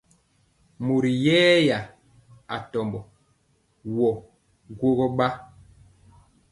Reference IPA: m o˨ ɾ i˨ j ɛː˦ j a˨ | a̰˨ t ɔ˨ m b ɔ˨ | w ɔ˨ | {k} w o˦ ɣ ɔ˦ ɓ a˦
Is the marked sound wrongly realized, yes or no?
yes